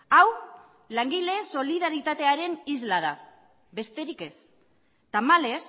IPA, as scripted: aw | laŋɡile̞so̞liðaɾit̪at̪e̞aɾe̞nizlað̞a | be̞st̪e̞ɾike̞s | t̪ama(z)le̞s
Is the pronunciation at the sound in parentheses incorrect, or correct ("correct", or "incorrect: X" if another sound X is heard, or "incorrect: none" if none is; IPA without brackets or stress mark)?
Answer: incorrect: none